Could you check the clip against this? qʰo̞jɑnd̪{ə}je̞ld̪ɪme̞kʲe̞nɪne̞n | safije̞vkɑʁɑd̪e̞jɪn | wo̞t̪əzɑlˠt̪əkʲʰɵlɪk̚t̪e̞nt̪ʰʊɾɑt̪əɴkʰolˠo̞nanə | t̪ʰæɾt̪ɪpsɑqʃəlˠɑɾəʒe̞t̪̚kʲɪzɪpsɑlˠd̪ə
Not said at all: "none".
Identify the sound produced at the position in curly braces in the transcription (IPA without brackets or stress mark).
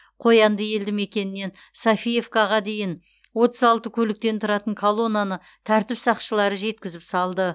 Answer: ə